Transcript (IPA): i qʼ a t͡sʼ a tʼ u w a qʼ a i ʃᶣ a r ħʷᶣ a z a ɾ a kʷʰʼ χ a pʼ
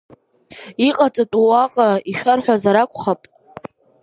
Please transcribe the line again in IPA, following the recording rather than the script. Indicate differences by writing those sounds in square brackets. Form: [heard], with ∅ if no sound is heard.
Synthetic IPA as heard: i qʼ a t͡sʼ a tʼ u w a qʼ a i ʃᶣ a r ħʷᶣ a z a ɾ a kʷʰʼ χ a pʼ